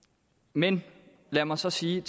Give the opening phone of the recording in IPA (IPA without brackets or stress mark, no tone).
m